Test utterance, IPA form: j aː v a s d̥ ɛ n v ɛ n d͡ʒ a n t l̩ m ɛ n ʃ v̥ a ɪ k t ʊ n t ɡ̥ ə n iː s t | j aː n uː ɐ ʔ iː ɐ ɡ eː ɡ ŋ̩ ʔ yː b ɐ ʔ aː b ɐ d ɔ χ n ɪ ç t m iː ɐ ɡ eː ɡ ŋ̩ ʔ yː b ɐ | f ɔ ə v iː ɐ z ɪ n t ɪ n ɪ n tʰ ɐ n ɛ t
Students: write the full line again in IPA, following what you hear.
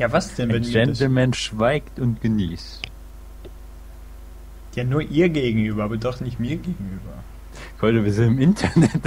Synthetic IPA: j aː v a s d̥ ɛ n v ɛ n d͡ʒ ɛ n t l̩ m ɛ n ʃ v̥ a ɪ k t ʊ n t ɡ̥ ə n iː s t | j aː n uː ɐ ʔ iː ɐ ɡ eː ɡ ŋ̩ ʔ yː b ɐ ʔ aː b ɐ d ɔ χ n ɪ ç t m iː ɐ ɡ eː ɡ ŋ̩ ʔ yː b ɐ | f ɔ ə v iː ɐ z ɪ n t ɪ m ɪ n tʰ ɐ n ɛ t

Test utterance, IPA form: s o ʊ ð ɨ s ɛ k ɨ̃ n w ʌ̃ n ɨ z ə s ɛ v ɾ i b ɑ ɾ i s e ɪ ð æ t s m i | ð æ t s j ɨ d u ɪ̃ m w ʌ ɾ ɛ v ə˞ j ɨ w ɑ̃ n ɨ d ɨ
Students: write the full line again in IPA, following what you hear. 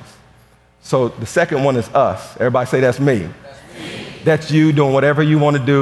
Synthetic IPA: s o ʊ ð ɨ s ɛ k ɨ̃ n w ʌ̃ n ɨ z ʌ s ɛ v ɹ i b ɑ ɾ i s e ɪ ð æ t s m i | ð æ t s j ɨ d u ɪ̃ ŋ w ʌ ɾ ɛ v ə˞ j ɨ w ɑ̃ n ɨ d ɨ

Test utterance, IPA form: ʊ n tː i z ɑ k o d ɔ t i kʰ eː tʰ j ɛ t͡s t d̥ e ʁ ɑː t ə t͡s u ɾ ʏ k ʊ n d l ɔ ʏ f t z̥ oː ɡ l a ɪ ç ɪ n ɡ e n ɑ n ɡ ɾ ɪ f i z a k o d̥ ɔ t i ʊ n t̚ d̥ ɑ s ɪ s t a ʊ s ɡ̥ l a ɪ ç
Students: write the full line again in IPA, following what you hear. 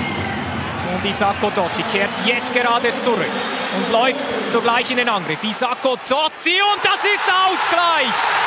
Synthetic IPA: ʊ n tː i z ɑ k o d ɔ t i kʰ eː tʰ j ɛ t͡s t ɡ̥ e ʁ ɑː d ə t͡s u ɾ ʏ k ʊ n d l ɔ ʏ f t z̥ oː ɡ l a ɪ ç ɪ n d e n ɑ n ɡ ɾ ɪ f i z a k o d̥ ɔ t i ʊ n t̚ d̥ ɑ s ɪ s t a ʊ s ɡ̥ l a ɪ ç

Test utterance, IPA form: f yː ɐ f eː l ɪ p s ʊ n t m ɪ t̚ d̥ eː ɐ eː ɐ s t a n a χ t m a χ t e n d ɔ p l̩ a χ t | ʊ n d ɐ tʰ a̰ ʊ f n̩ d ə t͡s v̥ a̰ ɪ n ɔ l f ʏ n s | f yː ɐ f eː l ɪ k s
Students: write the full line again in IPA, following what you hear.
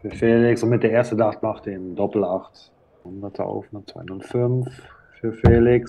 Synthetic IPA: f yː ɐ f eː l ɪ k s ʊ n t m ɪ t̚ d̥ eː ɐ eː ɐ s t ə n a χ t m a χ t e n d ɔ p l̩ a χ t | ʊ n d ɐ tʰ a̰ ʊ f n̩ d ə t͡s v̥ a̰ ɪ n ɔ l f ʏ n f | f yː ɐ f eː l ɪ k s

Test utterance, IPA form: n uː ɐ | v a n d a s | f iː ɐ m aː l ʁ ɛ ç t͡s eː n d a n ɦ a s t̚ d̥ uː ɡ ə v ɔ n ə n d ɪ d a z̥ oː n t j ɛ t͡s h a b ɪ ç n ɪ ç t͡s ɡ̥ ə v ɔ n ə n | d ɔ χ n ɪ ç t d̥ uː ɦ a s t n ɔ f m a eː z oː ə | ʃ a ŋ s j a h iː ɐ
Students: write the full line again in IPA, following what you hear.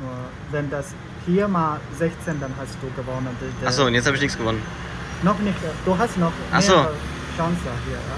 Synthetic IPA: n uː ɐ | v ɛ n d a s | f iː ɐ m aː l z ɛ ç t͡s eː n d a n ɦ a s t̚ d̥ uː ɡ ə v ɔ n ə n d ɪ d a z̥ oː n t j ɛ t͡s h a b ɪ ç n ɪ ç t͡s ɡ̥ ə v ɔ n ə n | n ɔ χ n ɪ ç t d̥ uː ɦ a s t n ɔ χ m a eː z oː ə | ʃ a ŋ s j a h iː ɐ

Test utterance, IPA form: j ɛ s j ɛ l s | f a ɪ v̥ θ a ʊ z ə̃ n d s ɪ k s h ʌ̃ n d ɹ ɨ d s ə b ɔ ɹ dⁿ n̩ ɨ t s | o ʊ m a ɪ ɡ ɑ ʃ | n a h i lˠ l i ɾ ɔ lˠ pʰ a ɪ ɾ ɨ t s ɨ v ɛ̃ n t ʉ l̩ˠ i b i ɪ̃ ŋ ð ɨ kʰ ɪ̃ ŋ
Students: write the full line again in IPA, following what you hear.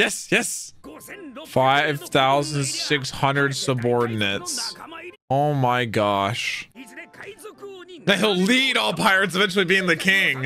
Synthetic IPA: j ɛ s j ɛ s | f a ɪ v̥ θ a ʊ z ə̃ n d s ɪ k s h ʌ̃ n d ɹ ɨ d s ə b ɔ ɹ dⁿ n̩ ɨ t s | o ʊ m a ɪ ɡ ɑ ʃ | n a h i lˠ l i ɾ ɔ lˠ pʰ a ɪ ɹ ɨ t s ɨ v ɛ̃ n t͡ʃ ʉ l̩ˠ i b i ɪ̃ ŋ ð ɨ kʰ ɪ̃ ŋ

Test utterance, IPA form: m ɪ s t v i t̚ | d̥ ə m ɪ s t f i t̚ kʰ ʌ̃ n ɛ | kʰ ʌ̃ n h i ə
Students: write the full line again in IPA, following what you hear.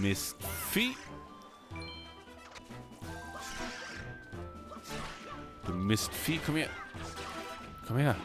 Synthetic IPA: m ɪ s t f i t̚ | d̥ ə m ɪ s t f i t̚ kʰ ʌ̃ m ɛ | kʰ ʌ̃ m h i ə

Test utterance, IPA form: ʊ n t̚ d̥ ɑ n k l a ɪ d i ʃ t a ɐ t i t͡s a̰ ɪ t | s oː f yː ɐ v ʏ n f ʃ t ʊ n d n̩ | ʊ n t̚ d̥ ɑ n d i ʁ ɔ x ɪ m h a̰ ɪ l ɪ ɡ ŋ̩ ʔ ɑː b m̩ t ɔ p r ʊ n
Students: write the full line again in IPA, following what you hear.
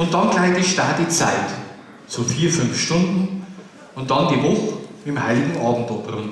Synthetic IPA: ʊ n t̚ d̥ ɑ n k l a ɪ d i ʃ t a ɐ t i t͡s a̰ ɪ t | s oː f iː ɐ f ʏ n f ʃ t ʊ n d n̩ | ʊ n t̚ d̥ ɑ n d i v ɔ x ɪ m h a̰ ɪ l ɪ ɡ ŋ̩ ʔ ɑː b m̩ t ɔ p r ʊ n

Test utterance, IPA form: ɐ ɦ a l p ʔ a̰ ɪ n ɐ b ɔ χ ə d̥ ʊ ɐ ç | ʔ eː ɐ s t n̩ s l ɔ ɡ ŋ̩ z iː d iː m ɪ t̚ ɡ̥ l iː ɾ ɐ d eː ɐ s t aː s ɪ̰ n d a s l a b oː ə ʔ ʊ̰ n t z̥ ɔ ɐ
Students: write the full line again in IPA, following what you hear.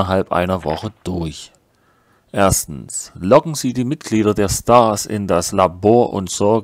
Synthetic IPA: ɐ ɦ a l p ʔ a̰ ɪ n ɐ v ɔ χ ə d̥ ʊ ɐ ç | ʔ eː ɐ s t n̩ s l ɔ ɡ ŋ̩ z iː d iː m ɪ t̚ ɡ̥ l iː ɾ ɐ d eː ɐ s t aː s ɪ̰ n d a s l a b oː ɐ ʔ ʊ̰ n t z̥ ɔ ɐ

